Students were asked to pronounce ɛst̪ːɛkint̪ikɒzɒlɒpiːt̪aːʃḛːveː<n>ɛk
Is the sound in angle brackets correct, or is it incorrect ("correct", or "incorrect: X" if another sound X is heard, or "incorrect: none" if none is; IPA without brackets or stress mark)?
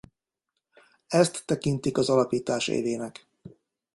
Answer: correct